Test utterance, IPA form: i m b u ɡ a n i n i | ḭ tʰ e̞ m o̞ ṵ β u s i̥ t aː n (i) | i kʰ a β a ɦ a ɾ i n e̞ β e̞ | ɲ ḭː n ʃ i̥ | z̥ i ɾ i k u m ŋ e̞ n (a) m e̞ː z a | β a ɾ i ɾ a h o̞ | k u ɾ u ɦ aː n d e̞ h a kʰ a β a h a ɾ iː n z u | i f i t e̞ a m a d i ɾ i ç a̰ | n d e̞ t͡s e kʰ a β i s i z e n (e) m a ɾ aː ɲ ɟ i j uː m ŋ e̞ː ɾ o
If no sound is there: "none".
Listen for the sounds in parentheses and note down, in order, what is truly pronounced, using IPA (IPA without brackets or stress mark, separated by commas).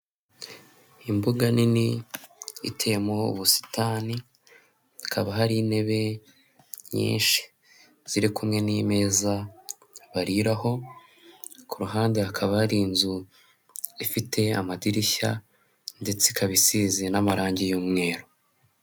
i, i, a